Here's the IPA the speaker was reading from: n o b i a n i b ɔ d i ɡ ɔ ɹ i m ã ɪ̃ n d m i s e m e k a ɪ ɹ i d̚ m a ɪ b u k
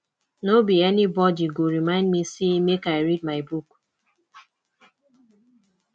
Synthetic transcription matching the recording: n o b i ɛ n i b ɔ d i ɡ o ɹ i m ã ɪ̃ n d m i s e m e k a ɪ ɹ i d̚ m a ɪ b u k